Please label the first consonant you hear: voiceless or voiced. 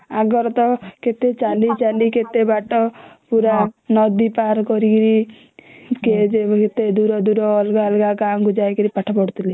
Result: voiced